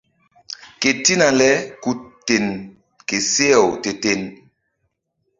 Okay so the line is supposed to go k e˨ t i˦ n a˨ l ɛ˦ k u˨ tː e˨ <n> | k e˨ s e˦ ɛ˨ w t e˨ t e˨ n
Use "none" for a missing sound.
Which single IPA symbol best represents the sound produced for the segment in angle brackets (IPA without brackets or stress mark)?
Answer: n